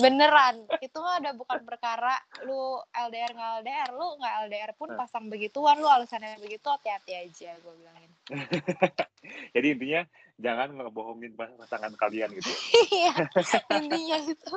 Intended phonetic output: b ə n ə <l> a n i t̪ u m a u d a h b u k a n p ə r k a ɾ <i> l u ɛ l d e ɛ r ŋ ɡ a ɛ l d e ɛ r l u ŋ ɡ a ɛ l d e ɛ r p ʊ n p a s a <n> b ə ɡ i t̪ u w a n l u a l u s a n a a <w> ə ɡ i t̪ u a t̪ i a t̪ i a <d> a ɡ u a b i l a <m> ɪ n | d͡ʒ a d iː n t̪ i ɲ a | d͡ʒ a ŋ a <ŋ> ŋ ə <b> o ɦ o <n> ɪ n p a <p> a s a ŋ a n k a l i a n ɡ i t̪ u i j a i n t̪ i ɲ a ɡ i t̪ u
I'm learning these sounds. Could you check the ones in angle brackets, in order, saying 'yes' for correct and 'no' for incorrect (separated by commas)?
no, no, no, no, no, no, no, yes, no, yes